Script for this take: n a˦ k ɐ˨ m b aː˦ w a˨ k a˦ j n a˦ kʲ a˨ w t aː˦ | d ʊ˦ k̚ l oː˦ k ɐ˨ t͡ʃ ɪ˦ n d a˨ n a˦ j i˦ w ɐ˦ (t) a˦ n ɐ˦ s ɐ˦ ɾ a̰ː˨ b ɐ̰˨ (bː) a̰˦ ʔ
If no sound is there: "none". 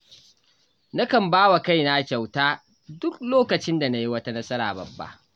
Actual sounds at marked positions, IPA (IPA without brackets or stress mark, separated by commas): t, bː